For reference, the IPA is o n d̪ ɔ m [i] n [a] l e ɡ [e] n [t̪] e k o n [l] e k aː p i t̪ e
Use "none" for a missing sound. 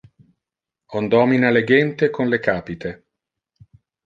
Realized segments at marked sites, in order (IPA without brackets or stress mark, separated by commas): i, a, ɛ, t̪, l